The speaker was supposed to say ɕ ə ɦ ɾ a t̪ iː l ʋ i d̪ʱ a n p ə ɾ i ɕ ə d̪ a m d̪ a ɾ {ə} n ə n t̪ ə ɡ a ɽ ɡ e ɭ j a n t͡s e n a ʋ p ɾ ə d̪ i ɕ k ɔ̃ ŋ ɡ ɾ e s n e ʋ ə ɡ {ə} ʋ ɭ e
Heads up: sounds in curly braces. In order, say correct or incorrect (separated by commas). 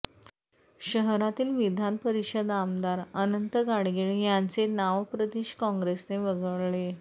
correct, correct